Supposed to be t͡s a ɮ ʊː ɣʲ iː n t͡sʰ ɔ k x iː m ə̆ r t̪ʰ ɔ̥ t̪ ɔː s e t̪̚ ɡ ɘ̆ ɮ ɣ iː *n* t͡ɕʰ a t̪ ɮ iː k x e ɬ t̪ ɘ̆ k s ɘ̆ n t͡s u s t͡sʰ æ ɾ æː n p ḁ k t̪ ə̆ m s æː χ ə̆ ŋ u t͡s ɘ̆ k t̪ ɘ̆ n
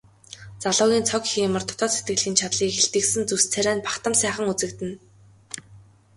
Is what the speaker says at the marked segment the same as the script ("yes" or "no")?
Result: yes